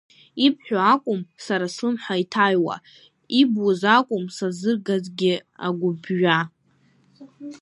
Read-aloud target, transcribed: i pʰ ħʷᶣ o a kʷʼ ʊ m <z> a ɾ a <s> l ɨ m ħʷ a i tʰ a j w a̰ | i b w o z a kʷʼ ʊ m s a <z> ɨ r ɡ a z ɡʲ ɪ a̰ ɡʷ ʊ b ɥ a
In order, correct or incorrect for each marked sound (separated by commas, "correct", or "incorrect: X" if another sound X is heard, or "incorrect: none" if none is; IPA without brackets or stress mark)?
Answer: incorrect: s, correct, correct